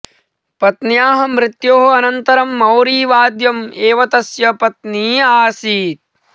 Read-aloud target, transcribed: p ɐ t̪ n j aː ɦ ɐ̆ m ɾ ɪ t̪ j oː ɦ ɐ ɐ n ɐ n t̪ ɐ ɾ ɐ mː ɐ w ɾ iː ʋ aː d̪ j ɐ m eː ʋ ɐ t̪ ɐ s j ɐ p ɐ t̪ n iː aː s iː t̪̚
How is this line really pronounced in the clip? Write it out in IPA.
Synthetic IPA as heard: p ɐ t̪ n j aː ɦ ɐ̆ m ɾ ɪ t̪ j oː ɦ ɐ ɐ n ɐ n t̪ ɐ ɾ ɐ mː ɐ w ɾ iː ʋ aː d̪ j ɐ m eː ʋ ɐ t̪ ɐ s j ɐ p ɐ t̪ n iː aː s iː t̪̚